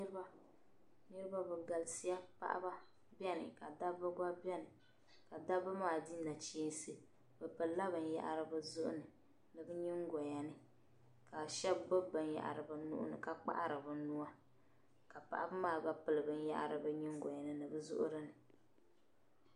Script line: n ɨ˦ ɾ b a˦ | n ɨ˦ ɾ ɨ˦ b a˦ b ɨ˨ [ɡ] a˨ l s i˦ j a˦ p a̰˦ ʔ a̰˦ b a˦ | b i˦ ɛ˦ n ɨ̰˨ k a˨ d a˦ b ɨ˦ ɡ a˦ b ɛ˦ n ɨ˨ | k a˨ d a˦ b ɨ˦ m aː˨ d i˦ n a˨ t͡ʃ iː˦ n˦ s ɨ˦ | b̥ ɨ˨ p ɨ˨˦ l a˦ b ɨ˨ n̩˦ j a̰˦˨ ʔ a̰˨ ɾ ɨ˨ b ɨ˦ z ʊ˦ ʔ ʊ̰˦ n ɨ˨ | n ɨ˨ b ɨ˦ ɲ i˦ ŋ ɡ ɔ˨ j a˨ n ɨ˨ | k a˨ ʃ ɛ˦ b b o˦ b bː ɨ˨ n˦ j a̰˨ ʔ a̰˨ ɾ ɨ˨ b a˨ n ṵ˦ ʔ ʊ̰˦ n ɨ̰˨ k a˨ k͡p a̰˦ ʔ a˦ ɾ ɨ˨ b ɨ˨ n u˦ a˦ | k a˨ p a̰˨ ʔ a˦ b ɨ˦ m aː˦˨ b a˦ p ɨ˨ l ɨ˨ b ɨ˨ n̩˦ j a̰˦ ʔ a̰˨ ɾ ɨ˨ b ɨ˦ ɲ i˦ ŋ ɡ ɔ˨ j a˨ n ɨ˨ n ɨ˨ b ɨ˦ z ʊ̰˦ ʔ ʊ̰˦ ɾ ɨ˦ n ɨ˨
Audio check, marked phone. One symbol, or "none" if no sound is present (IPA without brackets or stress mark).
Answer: ɡ